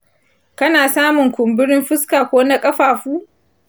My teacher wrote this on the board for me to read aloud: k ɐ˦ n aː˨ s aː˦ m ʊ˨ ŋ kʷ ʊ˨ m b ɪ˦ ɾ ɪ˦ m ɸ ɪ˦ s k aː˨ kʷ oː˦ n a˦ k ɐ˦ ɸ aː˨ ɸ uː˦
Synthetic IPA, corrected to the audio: k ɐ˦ n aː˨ s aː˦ m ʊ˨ ŋ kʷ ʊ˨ m b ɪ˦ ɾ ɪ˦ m ɸ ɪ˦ s k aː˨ kʷ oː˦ n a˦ kʼ ɐ˦ ɸ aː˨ ɸ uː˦